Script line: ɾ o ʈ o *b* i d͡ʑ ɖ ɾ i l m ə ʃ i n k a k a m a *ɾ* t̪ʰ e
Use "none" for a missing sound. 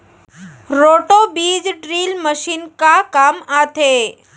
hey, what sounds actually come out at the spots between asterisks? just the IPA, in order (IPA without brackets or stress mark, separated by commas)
b, none